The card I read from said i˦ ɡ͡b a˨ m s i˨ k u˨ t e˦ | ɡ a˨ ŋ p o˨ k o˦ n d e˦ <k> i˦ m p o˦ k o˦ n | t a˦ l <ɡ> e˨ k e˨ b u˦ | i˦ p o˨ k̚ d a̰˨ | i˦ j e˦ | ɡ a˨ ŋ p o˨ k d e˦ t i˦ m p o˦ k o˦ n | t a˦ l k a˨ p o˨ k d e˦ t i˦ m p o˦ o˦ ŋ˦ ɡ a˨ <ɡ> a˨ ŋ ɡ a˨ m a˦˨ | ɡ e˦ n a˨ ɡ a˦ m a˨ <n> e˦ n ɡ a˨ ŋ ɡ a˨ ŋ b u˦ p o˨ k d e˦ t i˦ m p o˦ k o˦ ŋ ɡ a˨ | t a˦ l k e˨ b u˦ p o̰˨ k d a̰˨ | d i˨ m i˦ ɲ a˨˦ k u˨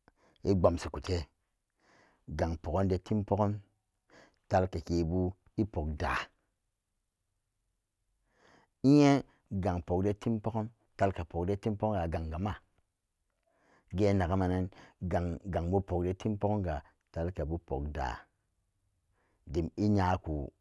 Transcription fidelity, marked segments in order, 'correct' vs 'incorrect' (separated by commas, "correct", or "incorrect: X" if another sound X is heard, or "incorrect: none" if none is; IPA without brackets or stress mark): incorrect: t, incorrect: k, correct, correct